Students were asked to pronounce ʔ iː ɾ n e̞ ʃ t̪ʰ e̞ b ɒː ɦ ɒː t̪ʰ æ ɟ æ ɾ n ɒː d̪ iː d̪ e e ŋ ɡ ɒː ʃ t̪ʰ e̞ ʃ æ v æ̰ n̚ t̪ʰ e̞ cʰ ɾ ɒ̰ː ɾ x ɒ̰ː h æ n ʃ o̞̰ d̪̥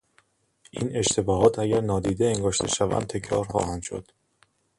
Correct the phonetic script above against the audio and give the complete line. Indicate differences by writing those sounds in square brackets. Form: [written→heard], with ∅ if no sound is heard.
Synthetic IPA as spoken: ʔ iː [ɾ→∅] n e̞ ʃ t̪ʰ e̞ b ɒː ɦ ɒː t̪ʰ æ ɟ æ ɾ n ɒː d̪ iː d̪ e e ŋ ɡ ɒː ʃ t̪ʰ e̞ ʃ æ v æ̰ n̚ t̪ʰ e̞ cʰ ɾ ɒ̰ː ɾ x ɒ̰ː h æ n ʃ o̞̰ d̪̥